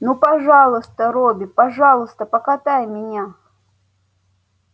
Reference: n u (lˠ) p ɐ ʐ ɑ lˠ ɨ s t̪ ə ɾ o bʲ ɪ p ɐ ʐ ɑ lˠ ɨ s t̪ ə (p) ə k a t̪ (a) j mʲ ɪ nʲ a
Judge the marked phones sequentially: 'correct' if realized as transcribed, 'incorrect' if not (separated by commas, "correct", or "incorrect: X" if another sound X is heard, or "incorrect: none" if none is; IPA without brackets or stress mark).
incorrect: none, correct, correct